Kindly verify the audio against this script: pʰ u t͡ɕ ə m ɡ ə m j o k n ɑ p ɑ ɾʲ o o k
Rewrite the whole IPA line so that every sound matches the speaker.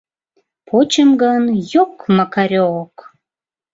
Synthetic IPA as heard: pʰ o t͡ɕ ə m ɡ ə n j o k m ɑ k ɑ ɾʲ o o k

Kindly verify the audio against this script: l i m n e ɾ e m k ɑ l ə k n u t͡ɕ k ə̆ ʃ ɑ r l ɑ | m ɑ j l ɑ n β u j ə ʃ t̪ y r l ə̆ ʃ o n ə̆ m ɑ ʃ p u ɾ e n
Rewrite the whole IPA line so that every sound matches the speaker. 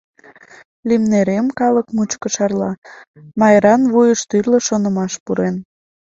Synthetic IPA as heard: l i m n e ɾ e m k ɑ l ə k m u t͡ɕ k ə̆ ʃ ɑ r l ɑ | m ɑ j ɾ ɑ n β u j ə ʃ t̪ y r l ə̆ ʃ o n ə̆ m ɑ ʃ p u ɾ e n

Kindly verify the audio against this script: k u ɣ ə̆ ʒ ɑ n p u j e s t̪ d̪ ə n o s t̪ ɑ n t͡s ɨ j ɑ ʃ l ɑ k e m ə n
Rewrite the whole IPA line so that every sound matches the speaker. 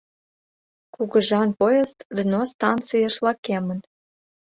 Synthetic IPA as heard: k u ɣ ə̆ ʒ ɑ n p o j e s t̪ d̪ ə n o s t̪ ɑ n t͡s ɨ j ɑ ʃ l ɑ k e m ə n

